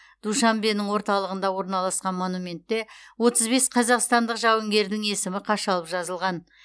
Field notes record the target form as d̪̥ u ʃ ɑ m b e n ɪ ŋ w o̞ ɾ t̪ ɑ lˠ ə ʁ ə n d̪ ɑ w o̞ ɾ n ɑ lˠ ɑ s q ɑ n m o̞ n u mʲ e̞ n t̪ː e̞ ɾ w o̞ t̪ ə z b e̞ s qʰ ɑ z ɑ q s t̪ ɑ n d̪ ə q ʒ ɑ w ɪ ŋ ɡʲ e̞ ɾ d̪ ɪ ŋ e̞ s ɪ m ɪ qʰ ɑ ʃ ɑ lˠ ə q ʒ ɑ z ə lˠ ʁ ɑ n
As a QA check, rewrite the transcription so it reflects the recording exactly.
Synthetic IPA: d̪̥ u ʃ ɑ m b e n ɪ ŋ w o̞ ɾ t̪ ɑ lˠ ə ʁ ə n d̪ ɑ w o̞ ɾ n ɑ lˠ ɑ s q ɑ n m o̞ n u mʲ e̞ n t̪ː e̞ w o̞ t̪ ə z b e̞ s qʰ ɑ z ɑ q s t̪ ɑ n d̪ ə q ʒ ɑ w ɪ ŋ ɡʲ e̞ ɾ d̪ ɪ ŋ e̞ s ɪ m ɪ qʰ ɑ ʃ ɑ lˠ ə p ʒ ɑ z ə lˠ ʁ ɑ n